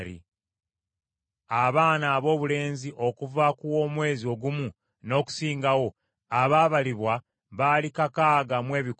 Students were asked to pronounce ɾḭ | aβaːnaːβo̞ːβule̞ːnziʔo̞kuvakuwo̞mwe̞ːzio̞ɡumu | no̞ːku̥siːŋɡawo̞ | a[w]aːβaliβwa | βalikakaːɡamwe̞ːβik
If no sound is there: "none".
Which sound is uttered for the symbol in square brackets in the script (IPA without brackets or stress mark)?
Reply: β